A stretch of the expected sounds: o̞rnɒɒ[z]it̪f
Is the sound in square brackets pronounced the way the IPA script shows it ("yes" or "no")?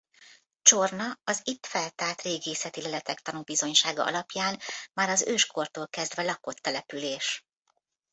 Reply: yes